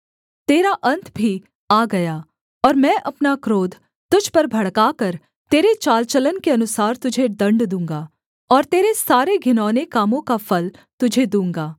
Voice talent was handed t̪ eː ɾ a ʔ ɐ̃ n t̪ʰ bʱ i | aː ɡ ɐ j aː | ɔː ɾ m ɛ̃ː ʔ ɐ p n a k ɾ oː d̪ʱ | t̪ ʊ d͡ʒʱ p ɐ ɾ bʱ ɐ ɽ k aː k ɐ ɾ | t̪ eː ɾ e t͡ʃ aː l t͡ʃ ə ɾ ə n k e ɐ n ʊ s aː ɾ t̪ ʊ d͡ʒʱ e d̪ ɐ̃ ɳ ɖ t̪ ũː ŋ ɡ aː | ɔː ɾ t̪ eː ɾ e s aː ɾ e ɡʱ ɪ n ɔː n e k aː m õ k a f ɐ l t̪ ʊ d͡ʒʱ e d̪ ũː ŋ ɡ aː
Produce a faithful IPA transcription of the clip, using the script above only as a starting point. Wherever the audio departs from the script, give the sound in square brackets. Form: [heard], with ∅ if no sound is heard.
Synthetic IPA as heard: t̪ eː ɾ a ʔ ɐ̃ n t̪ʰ bʱ i | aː ɡ ɐ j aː | ɔː ɾ m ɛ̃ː ʔ ɐ p n a k ɾ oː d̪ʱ | t̪ ʊ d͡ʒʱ p ɐ ɾ bʱ ɐ ɽ k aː k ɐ ɾ | t̪ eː ɾ e t͡ʃ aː l t͡ʃ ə [l] ə n k e ɐ n ʊ s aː ɾ t̪ ʊ d͡ʒʱ e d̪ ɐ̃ ɳ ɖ [d̪] ũː ŋ ɡ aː | ɔː ɾ t̪ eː ɾ e s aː ɾ e ɡʱ ɪ n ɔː n e k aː m õ k a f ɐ l t̪ ʊ d͡ʒʱ e d̪ ũː ŋ ɡ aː